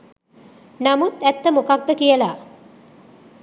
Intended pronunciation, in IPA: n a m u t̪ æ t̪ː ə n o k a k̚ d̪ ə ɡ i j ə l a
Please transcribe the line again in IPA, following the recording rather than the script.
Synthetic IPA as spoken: n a m u t̪ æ t̪ː ə m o k a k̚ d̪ ə k i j ə l a